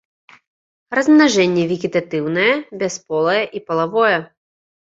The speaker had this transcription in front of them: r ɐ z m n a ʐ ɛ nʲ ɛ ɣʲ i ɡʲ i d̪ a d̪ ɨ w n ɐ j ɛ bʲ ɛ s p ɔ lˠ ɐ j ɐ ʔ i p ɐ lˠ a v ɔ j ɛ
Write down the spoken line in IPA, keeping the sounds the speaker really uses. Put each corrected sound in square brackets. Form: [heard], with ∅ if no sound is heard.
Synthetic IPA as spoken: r ɐ z m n a ʐ ɛ [nʲː] ɛ [vʲ] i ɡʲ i [t̪] a [t̪] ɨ w n ɐ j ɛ bʲ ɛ s p ɔ lˠ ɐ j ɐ ʔ i p ɐ lˠ a v ɔ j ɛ